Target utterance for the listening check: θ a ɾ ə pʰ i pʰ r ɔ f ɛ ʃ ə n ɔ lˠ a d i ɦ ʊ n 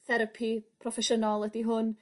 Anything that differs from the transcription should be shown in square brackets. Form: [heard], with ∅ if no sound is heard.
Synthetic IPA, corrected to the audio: θ [ɛ] ɾ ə pʰ i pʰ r ɔ f ɛ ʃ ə n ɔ lˠ [ə] d i ɦ ʊ n